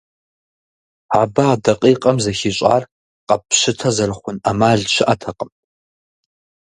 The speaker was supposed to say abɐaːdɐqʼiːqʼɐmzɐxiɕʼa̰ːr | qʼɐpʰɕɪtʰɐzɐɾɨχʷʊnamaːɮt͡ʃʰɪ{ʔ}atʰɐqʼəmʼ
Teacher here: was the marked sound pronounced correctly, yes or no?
yes